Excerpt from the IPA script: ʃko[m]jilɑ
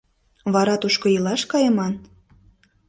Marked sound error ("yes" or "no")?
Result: yes